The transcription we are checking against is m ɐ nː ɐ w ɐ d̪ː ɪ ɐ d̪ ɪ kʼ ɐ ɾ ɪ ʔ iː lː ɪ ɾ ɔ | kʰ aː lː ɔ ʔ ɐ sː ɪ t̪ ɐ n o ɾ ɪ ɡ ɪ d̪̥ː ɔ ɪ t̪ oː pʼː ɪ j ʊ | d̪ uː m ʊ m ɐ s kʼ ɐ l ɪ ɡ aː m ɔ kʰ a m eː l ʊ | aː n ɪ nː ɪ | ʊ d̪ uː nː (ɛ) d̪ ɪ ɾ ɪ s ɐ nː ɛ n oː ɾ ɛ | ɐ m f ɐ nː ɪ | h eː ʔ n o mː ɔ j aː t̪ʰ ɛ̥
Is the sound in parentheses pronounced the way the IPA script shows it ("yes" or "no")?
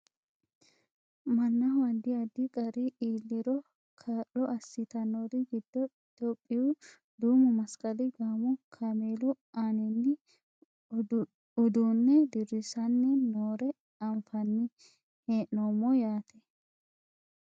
yes